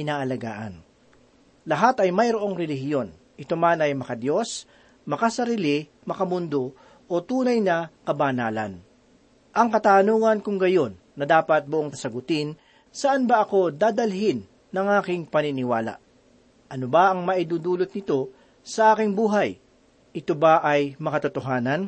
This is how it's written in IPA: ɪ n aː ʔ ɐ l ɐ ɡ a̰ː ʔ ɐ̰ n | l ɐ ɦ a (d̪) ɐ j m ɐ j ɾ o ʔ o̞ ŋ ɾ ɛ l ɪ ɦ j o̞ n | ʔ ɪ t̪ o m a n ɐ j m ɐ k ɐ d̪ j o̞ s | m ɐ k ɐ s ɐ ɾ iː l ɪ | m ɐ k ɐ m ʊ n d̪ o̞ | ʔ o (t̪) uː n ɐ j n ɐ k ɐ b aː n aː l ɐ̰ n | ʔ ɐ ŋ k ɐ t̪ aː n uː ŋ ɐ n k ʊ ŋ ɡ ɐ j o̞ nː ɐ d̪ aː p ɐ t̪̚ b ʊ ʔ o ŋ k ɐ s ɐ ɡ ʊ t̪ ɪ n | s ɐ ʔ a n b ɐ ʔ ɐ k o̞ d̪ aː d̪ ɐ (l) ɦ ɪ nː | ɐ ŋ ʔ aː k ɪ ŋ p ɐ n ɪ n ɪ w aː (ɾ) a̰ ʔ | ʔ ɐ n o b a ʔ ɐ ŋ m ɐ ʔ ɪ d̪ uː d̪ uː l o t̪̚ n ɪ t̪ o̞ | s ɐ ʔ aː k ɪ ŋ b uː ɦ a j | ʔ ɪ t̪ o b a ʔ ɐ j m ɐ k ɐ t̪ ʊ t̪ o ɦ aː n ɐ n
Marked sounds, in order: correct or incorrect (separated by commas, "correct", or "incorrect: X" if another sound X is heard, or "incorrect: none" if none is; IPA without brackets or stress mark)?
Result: incorrect: t̪, correct, correct, incorrect: l